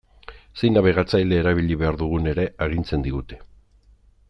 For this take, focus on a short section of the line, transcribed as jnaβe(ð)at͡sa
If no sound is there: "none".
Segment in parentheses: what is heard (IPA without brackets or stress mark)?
ɣ